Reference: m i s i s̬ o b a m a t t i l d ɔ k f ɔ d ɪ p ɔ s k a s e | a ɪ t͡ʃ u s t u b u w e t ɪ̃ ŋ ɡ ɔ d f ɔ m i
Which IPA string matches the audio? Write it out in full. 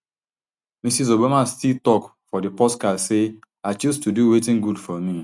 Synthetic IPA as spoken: m i s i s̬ o b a m a s t i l t ɔ k f ɔ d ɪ p ɔ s k a s e | a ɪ t͡ʃ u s t u d u w e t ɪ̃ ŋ ɡ u d f ɔ m i